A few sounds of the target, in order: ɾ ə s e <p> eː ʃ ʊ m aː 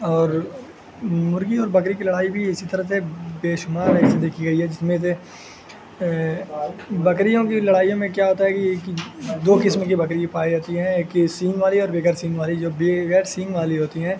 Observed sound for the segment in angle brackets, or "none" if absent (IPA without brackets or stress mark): b